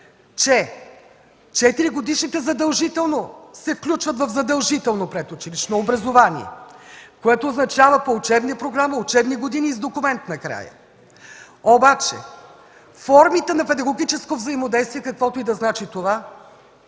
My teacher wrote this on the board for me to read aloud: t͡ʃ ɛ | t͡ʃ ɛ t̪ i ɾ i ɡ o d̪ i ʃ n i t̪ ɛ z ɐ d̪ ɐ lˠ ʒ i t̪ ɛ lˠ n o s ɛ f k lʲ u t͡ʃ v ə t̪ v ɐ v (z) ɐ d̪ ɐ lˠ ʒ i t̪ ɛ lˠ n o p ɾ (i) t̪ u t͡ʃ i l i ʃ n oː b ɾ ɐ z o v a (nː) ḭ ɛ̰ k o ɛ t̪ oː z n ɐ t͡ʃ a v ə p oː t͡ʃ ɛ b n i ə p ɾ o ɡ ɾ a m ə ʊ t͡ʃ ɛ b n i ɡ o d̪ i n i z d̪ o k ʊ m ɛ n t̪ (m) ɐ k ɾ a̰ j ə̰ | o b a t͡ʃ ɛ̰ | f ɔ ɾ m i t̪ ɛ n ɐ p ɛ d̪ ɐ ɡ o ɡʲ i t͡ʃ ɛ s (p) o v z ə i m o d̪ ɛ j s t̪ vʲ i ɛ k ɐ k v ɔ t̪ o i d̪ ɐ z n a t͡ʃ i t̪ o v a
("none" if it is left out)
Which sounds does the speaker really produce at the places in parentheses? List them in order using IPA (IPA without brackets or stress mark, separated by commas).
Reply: z, ɛ, n, n, k